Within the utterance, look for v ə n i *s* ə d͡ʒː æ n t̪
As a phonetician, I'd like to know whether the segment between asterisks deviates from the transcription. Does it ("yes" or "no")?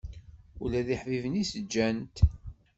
no